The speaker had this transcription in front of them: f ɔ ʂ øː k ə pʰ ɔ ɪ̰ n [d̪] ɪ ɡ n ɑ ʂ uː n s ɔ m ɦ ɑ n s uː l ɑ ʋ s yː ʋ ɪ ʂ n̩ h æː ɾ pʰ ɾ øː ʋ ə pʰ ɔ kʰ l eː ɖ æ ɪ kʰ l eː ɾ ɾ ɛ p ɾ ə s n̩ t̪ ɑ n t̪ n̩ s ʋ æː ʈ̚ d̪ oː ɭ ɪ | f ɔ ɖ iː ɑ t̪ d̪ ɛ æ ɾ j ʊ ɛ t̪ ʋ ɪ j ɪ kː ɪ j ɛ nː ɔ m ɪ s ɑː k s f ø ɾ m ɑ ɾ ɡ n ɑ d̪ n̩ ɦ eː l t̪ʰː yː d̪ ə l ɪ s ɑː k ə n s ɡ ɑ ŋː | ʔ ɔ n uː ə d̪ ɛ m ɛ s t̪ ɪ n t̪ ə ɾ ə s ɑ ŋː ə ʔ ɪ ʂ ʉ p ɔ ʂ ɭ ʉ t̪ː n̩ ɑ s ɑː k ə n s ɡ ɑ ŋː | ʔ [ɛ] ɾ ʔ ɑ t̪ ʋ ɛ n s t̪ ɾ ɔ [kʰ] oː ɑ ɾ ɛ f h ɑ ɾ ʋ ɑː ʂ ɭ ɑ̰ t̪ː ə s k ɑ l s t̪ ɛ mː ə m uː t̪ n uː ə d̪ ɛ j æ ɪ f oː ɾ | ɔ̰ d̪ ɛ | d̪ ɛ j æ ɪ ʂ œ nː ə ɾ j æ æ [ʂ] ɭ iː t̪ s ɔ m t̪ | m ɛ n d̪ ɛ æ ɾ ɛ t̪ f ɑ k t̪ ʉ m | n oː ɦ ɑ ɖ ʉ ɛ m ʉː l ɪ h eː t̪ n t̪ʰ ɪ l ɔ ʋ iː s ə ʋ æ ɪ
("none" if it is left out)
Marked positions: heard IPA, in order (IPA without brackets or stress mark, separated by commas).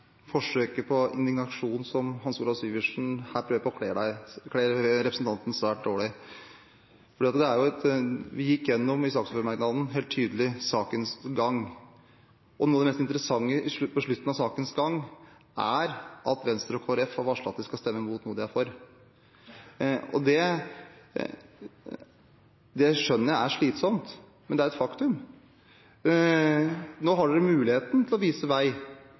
d̪, æ, kʰ, ʂ